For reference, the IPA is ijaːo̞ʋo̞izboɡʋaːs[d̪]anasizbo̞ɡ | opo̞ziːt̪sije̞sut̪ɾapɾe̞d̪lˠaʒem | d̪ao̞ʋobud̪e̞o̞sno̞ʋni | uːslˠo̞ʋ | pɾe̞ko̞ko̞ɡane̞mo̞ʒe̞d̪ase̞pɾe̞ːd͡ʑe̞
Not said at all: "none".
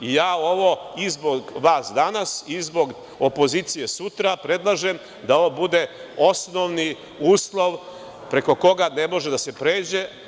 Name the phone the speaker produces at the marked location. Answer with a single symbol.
d̪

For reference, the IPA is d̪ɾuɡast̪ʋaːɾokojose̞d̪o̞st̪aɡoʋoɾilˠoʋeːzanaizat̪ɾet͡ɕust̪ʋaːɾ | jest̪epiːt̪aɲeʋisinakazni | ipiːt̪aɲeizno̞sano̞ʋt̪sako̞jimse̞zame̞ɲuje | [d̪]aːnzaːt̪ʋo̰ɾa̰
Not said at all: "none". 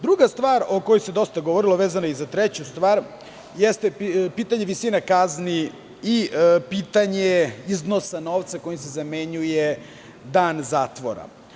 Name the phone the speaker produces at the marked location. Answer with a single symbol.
d̪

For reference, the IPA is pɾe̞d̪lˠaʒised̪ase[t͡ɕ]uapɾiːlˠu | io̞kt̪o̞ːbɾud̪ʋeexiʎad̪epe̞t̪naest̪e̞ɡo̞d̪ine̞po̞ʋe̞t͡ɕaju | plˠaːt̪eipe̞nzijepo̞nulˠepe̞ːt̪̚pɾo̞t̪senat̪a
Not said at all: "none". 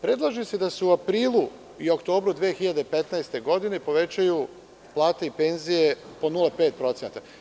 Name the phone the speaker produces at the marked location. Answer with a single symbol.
none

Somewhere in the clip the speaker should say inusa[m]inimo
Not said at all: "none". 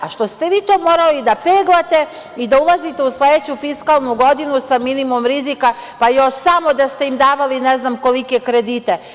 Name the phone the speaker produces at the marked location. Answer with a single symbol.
m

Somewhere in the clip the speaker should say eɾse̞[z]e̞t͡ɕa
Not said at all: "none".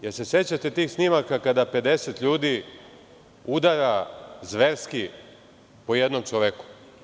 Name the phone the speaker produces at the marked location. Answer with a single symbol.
s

